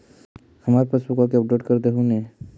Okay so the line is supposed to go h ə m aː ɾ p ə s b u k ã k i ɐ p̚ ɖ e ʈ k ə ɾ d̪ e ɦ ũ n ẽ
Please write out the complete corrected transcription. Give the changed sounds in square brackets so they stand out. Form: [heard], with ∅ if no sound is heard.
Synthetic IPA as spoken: h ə m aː ɾ p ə s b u k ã k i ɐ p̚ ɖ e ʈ k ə ɾ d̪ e ɦ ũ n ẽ

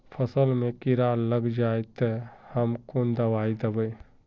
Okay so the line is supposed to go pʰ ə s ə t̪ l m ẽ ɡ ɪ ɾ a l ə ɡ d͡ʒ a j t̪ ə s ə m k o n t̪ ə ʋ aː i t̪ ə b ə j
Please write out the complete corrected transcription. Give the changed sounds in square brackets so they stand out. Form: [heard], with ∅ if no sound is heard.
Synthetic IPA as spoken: pʰ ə s ə [∅] l m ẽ [k] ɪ ɾ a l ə ɡ d͡ʒ a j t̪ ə [h] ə m k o n [d̪] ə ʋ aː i [d̪] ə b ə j

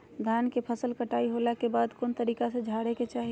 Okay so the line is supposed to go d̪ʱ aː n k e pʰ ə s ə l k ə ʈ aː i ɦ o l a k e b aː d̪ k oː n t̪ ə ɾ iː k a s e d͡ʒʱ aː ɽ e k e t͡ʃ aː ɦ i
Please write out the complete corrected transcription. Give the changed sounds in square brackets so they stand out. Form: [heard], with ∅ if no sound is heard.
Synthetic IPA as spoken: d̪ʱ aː n k e pʰ ə s ə l k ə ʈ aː i ɦ o l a k e b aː d̪ k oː n t̪ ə ɾ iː k a s e d͡ʒʱ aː ɽ e k e t͡ʃ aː ɦ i

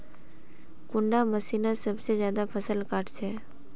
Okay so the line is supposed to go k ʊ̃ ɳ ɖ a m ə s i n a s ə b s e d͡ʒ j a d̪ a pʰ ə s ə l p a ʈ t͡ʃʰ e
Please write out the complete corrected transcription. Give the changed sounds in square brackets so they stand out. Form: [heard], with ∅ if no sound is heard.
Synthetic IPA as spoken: k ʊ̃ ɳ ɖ a m ə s i n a s ə b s e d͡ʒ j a d̪ a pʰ ə s ə l [k] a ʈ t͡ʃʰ e

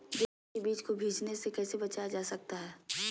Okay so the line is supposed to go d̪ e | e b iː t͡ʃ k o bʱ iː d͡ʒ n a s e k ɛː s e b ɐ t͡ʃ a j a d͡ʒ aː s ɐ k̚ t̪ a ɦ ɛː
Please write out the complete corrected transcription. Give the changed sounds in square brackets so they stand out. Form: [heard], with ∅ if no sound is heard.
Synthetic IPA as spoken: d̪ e | e b iː t͡ʃ k o bʱ iː d͡ʒ n [e] s e k ɛː s e b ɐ t͡ʃ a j a d͡ʒ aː s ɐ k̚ t̪ a ɦ ɛː

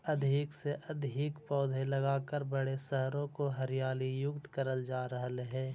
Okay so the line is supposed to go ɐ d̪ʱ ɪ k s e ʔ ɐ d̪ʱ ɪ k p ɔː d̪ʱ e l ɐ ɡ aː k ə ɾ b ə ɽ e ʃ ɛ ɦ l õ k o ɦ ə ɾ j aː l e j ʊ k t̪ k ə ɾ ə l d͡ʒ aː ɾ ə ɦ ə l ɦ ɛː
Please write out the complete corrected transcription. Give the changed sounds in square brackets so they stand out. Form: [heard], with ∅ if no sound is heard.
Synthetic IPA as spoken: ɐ d̪ʱ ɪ k s e ʔ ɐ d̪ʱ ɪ k p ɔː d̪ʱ e l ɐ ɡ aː k ə ɾ b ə ɽ e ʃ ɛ ɦ [ɾ] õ k o ɦ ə ɾ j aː l [i] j ʊ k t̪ k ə ɾ ə l d͡ʒ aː ɾ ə ɦ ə l ɦ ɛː

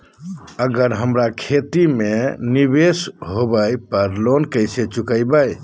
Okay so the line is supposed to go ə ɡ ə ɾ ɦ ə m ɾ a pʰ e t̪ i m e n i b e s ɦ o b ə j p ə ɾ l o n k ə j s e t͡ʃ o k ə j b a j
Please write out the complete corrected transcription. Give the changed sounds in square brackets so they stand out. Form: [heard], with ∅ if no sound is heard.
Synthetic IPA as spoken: ə ɡ ə ɾ ɦ ə m ɾ a [kʰ] e t̪ i m e n i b e s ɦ o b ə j p ə ɾ l o n k ə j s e t͡ʃ [u] k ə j b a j

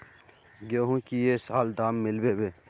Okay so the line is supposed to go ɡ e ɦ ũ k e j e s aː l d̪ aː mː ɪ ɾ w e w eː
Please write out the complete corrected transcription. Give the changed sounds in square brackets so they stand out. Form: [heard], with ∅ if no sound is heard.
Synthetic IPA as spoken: ɡ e ɦ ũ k [i] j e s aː l d̪ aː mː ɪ [l] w e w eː

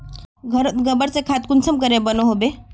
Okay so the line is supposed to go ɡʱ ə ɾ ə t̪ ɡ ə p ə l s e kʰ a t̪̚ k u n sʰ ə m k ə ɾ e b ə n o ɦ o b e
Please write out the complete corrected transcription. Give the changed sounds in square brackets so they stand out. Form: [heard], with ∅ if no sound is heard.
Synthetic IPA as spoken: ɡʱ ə ɾ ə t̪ ɡ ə [b] ə [ɾ] s e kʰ a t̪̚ k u n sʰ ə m k ə ɾ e b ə n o ɦ o b e

